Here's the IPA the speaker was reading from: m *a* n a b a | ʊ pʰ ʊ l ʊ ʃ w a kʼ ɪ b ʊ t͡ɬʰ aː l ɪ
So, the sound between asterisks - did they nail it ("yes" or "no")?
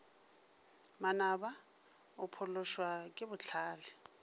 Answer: yes